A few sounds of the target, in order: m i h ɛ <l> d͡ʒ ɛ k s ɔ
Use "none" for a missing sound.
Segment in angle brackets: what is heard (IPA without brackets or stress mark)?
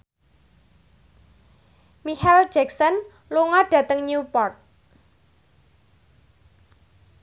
l